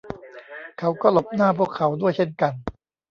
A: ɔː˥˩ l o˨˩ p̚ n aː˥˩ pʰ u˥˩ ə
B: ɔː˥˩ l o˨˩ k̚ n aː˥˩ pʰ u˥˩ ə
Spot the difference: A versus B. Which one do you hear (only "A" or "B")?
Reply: A